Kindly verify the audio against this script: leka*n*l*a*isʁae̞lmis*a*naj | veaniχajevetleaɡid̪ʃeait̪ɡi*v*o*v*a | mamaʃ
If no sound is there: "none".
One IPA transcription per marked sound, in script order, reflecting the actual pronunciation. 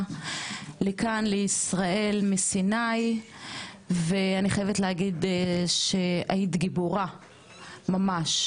n, e, i, b, ʁ

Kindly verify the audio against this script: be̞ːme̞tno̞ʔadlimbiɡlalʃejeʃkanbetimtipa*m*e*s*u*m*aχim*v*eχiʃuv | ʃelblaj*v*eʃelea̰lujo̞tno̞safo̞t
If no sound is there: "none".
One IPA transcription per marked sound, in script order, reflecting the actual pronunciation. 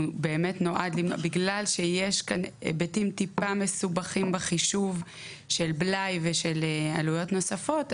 m, s, b, b, v

